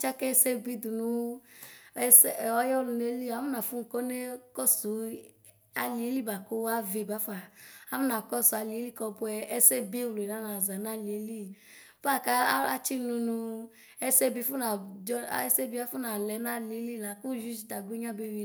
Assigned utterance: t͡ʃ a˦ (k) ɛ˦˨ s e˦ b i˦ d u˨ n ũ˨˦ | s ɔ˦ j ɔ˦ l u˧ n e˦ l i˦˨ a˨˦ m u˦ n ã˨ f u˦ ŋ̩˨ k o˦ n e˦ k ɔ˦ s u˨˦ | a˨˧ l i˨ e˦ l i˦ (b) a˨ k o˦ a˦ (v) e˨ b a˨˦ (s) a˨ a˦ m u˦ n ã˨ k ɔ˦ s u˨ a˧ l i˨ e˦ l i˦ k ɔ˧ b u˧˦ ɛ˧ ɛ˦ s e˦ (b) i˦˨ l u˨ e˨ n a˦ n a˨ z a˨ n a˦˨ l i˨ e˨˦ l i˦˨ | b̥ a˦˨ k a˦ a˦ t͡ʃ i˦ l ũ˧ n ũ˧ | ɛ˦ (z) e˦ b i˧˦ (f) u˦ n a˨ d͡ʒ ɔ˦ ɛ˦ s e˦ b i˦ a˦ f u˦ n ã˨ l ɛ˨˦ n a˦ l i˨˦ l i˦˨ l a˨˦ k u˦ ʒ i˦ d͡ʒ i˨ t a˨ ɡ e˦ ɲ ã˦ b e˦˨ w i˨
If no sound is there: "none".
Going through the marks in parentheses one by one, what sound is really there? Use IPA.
k, b, v, f, b, s, f

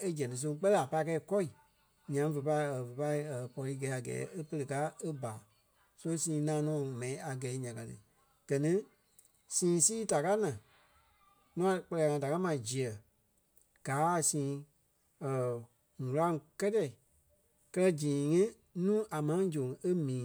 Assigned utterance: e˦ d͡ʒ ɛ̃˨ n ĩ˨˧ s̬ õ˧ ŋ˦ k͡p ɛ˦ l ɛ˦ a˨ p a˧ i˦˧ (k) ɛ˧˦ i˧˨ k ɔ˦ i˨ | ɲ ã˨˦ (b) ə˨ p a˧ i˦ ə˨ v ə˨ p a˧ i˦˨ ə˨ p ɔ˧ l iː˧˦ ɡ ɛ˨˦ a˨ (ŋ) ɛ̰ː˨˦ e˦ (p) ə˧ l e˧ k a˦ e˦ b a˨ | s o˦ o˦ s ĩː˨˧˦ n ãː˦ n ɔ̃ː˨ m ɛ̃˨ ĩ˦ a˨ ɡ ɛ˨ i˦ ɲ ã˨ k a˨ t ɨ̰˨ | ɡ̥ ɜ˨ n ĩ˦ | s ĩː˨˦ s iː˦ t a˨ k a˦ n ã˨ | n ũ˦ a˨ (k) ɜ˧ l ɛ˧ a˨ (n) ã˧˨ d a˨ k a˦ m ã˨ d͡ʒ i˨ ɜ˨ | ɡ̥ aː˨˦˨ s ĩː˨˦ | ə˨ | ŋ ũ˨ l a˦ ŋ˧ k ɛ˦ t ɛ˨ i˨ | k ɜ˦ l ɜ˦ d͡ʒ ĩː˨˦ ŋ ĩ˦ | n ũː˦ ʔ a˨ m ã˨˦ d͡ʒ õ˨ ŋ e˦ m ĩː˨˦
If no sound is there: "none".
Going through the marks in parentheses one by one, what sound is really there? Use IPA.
k, v, ɡ, p, k͡p, ŋ

